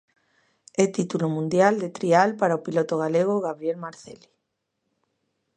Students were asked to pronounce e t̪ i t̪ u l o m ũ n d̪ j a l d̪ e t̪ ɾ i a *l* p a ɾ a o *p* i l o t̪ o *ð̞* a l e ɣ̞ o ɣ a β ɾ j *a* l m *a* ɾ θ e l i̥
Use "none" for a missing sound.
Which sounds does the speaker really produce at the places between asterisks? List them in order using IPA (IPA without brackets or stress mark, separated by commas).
l, p, ɣ̞, e, a